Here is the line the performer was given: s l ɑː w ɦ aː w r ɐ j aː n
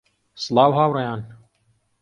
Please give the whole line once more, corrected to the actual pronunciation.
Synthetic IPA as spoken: s l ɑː w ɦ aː w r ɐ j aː n